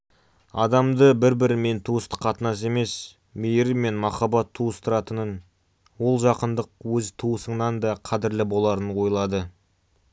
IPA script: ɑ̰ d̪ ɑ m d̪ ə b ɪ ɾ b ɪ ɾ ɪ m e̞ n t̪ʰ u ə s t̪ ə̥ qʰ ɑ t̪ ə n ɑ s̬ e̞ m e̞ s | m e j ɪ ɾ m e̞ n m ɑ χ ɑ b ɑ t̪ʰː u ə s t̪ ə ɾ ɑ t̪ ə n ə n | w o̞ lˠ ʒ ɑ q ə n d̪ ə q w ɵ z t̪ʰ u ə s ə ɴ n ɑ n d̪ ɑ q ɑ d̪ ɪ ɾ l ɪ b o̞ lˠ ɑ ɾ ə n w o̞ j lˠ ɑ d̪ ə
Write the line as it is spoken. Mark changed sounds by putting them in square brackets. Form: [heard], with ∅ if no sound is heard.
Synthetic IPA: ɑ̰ d̪ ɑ m d̪ ə b ɪ ɾ b ɪ ɾ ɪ m e̞ n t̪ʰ u ə s t̪ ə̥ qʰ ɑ t̪ ə n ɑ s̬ e̞ m e̞ s | m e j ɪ ɾ m e̞ n m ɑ χ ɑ b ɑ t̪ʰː u ə s t̪ ə ɾ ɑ t̪ ə n ə n | w o̞ lˠ ʒ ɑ q ə n d̪ ə q w ɵ z t̪ʰ u ə s ə ɴ n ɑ n d̪ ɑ [qʰ] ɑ d̪ ɪ ɾ l ɪ b o̞ lˠ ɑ ɾ ə n w o̞ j lˠ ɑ d̪ ə